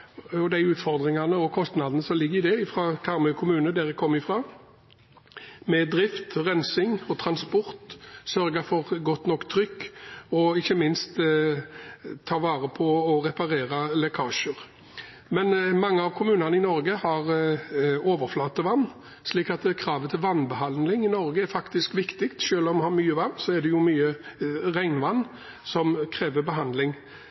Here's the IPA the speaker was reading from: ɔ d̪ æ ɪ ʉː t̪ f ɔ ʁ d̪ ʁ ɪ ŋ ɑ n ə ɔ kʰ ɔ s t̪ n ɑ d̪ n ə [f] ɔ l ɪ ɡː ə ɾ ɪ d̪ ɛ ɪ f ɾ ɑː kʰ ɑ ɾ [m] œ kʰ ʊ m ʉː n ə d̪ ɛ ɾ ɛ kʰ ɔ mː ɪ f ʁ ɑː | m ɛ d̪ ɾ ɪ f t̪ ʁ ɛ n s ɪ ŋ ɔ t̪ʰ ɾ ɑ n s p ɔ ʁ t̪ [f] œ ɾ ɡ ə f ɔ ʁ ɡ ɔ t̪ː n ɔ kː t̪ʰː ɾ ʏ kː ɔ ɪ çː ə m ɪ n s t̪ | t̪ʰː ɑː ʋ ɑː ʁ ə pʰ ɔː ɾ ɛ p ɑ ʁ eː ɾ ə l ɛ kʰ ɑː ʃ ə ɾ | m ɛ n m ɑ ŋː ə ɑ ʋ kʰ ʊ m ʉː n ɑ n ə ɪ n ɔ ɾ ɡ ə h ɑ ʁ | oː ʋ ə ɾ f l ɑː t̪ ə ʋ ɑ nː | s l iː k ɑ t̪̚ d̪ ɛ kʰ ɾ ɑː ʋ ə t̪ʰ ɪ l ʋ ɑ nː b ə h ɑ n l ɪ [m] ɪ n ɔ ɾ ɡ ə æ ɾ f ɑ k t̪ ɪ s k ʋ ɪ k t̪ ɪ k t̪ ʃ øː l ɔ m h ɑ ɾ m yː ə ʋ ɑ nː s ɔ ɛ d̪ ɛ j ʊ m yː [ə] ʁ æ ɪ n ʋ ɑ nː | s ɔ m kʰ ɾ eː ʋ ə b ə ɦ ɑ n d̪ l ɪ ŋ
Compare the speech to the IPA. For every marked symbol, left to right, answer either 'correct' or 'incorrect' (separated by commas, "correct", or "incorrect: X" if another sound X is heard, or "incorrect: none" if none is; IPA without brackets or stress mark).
incorrect: s, correct, incorrect: s, incorrect: ŋ, correct